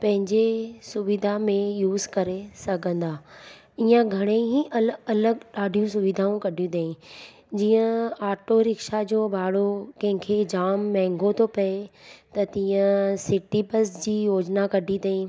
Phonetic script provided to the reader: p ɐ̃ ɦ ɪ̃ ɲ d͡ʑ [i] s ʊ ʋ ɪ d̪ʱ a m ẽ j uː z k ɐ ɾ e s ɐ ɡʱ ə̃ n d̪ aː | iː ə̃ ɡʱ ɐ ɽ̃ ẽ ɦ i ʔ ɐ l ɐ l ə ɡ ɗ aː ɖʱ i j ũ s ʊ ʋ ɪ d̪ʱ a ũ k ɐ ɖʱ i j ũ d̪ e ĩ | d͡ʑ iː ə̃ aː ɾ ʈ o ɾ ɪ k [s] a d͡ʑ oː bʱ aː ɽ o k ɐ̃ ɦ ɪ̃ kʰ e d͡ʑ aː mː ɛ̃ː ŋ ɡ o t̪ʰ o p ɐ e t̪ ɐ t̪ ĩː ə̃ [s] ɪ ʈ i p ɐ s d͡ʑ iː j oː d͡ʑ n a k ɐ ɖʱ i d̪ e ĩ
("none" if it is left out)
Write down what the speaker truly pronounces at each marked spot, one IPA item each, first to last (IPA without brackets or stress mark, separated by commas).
e, ʃ, s